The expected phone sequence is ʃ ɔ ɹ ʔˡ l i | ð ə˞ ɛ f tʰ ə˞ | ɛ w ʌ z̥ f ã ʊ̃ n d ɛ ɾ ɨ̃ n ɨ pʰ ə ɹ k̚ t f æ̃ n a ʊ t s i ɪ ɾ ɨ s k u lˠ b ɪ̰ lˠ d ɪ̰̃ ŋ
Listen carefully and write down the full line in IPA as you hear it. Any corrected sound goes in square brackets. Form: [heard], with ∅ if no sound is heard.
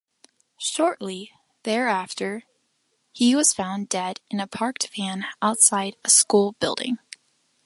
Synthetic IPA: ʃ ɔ ɹ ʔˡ l i | ð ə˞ [æ] f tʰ ə˞ | [i] w ʌ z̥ f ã ʊ̃ n d ɛ ɾ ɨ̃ n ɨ pʰ [ɑ] ɹ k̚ t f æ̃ n a ʊ t s [a] ɪ ɾ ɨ s k u lˠ b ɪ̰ lˠ d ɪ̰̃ ŋ